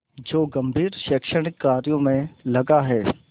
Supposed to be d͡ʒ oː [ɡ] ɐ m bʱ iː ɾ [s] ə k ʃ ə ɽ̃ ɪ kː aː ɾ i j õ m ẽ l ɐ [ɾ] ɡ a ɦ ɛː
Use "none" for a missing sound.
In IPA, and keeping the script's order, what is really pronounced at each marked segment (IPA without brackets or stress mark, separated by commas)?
ɡ, ʃ, none